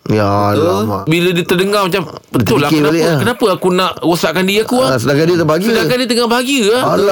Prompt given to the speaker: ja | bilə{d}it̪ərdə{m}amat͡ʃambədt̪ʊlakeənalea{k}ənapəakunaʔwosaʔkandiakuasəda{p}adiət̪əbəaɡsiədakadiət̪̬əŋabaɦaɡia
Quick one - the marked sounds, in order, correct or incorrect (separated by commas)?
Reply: correct, incorrect, correct, incorrect